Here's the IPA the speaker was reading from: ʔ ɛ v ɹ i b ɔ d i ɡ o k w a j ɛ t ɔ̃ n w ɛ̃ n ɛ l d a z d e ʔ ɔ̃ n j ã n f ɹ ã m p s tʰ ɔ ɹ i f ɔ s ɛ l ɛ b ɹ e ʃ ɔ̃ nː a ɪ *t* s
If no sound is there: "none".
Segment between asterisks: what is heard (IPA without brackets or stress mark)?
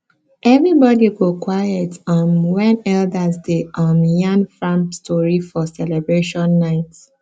t